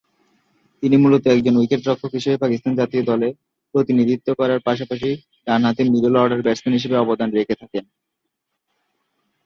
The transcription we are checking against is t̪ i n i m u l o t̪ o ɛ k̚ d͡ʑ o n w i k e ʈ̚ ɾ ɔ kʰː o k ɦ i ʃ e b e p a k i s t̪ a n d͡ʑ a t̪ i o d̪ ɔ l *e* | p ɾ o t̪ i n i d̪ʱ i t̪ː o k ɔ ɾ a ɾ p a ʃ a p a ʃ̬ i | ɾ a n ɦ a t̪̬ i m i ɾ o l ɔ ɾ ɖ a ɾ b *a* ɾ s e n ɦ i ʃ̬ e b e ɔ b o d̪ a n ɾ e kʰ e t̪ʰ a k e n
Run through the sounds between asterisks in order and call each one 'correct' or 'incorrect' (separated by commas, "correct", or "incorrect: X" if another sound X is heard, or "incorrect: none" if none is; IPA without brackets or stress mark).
correct, incorrect: ɛ